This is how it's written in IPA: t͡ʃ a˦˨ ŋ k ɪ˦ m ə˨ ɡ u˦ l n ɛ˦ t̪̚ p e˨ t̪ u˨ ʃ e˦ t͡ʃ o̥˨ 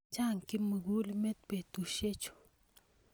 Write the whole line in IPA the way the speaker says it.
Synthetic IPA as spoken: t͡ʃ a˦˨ ŋ k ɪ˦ m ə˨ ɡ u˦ l m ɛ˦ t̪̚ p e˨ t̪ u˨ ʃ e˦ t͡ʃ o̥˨